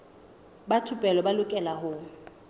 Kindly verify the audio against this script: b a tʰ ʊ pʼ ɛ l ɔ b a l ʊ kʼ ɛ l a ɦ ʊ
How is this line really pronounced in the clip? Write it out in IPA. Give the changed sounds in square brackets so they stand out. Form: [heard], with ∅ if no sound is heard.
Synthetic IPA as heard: b a tʰ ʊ pʼ ɛ l ɔ b a l ʊ kʼ ɛ l a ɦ ʊ